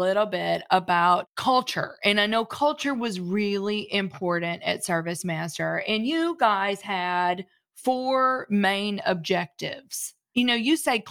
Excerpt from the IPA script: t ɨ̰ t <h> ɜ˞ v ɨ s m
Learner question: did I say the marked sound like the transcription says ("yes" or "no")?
no